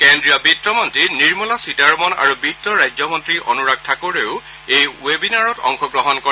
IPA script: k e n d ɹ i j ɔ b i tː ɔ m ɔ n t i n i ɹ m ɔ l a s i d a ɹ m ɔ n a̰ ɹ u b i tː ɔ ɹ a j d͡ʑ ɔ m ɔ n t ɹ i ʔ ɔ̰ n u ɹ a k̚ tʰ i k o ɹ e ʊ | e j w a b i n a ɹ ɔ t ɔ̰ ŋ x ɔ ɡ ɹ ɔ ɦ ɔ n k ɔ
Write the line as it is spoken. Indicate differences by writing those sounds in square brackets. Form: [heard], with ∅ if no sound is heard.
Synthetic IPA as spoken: k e n d ɹ i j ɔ b i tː ɔ m ɔ n t i n i ɹ m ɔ l a s i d a ɹ m ɔ n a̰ ɹ u b i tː ɔ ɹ a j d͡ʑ ɔ m ɔ n t ɹ i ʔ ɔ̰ n u ɹ a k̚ tʰ [a] k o ɹ e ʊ | e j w [e] b i n a ɹ ɔ t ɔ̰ ŋ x ɔ ɡ ɹ ɔ ɦ ɔ n k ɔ

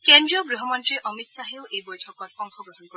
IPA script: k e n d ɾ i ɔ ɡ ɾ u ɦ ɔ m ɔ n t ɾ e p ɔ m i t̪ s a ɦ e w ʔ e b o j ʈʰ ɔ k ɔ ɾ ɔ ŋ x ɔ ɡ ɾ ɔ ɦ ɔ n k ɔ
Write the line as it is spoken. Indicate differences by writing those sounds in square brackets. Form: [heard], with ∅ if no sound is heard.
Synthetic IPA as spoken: k e n d ɾ i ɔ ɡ ɾ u ɦ ɔ m ɔ n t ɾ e [ʔ] ɔ m i t̪ s a ɦ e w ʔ e b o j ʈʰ ɔ k ɔ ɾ ɔ ŋ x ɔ ɡ ɾ ɔ ɦ ɔ n k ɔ

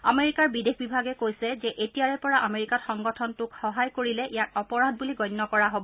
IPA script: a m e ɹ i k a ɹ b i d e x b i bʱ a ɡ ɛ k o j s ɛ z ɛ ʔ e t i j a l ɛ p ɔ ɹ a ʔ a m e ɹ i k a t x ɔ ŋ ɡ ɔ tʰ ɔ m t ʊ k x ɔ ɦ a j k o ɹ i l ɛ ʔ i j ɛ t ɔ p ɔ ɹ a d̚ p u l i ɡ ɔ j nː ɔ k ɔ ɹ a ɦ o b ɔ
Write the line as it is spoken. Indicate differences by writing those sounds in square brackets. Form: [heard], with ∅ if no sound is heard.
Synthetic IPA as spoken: a m e ɹ i k a ɹ b i d e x b i bʱ a ɡ ɛ k o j s ɛ z ɛ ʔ e t i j a [ɹ] ɛ p ɔ ɹ a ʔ a m e ɹ i k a t x ɔ ŋ ɡ ɔ tʰ ɔ [n] t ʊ k x ɔ ɦ a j k o ɹ i l ɛ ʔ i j [a] t ɔ p ɔ ɹ a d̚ [b] u l i ɡ ɔ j nː ɔ k ɔ ɹ a ɦ o b ɔ

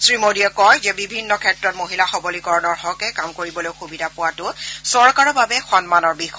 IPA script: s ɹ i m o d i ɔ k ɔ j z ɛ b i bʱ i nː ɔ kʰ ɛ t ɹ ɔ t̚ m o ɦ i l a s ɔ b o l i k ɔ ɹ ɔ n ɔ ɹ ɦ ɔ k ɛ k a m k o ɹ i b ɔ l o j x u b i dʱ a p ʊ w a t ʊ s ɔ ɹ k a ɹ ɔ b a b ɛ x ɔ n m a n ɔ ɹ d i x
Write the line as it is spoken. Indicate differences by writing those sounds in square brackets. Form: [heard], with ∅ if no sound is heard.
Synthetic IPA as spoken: s ɹ i m o d i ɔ k ɔ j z ɛ b i bʱ i nː ɔ kʰ ɛ t ɹ ɔ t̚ m o ɦ i l a [x] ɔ b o l i k ɔ ɹ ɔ n ɔ ɹ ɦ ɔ k ɛ k a m k o ɹ i b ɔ l o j x u b i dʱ a p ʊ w a t ʊ s ɔ ɹ k a ɹ ɔ b a b ɛ x ɔ n m a n ɔ ɹ [b] i x

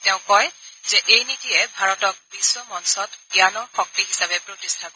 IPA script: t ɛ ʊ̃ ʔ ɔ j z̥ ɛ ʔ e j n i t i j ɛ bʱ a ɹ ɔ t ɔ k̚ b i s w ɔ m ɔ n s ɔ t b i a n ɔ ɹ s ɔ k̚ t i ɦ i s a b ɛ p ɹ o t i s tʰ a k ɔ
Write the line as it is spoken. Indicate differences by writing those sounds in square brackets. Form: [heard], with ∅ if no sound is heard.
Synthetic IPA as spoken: t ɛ ʊ̃ [k] ɔ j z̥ ɛ ʔ e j n i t i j ɛ bʱ a ɹ ɔ t ɔ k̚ b i s w ɔ m ɔ n s ɔ t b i a n ɔ ɹ [x] ɔ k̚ t i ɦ i s a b ɛ p ɹ o t i s tʰ a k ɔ

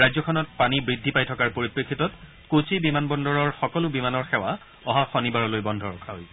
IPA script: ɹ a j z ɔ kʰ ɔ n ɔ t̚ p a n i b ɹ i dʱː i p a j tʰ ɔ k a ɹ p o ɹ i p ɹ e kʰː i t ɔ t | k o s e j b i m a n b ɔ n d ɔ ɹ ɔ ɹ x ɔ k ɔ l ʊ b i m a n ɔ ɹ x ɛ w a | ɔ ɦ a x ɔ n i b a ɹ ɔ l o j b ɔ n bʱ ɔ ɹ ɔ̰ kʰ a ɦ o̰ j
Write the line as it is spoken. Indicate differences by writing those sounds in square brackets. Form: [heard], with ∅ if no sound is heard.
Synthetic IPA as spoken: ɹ a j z ɔ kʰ ɔ n ɔ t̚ p a n i b ɹ i dʱː i p a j tʰ ɔ k a ɹ p o ɹ i p ɹ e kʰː i t ɔ t | k o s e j b i m a n b ɔ n d ɔ ɹ ɔ ɹ x ɔ k ɔ l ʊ b i m a n ɔ ɹ x ɛ w a | ɔ ɦ a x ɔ n i b a ɹ ɔ l o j b ɔ n [dʱ] ɔ ɹ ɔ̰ kʰ a ɦ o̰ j

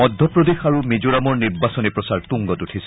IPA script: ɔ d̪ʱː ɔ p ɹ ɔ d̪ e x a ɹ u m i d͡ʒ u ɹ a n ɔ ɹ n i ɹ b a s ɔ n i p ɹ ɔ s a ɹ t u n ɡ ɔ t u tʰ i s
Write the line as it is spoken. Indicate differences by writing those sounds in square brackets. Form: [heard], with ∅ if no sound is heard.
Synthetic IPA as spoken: ɔ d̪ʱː ɔ p ɹ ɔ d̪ e x a ɹ u m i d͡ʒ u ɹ a [m] ɔ ɹ n i ɹ b a s ɔ n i p ɹ ɔ s a ɹ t u [ŋ] ɡ ɔ t u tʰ i s

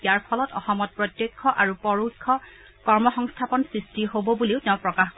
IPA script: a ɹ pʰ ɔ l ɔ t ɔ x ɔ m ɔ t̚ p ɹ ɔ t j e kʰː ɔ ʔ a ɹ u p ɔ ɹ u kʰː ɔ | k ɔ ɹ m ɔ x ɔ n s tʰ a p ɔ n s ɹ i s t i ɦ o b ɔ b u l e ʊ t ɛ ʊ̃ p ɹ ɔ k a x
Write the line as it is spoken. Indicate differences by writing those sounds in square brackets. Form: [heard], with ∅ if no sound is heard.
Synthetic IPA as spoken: a ɹ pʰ ɔ l ɔ t ɔ x ɔ m ɔ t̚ p ɹ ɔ t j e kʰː ɔ ʔ a ɹ u p ɔ ɹ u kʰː ɔ | k ɔ ɹ m ɔ x ɔ [ŋ] s tʰ a p ɔ n s ɹ i s t i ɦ o b ɔ b u l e ʊ t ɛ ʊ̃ p ɹ ɔ k a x

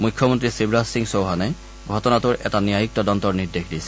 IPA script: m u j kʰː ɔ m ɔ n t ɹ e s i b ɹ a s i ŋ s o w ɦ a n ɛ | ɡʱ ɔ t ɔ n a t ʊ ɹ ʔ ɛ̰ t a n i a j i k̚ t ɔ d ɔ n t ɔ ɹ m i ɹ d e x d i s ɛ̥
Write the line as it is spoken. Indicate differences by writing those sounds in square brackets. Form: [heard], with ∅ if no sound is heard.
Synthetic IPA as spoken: m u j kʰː ɔ m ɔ n t ɹ [i] s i b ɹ a s i ŋ s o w ɦ a n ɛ | ɡʱ ɔ t ɔ n a t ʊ ɹ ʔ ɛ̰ t a n i a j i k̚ t ɔ d ɔ n t ɔ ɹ [n] i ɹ d e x d i s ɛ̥

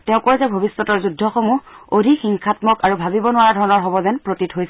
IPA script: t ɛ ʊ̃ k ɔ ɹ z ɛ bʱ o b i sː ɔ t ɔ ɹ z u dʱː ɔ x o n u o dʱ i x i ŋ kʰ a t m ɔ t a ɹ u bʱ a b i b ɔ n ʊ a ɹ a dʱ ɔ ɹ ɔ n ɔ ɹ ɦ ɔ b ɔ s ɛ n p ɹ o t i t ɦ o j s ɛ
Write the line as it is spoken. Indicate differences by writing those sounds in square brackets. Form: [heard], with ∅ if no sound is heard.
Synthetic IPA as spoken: t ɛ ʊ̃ k ɔ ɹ z ɛ bʱ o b i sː ɔ t ɔ ɹ z u dʱː ɔ x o [m] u o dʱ i x i ŋ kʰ a t m ɔ [k] a ɹ u bʱ a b i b ɔ n ʊ a ɹ a dʱ ɔ ɹ ɔ n ɔ ɹ ɦ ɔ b ɔ [z] ɛ n p ɹ o t i t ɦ o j s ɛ

